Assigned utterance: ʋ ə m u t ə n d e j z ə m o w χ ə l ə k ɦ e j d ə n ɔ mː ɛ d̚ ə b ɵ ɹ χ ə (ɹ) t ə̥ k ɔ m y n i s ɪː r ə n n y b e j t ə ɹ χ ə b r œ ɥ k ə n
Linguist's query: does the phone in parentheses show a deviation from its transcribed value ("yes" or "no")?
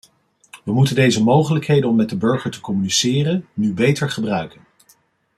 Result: no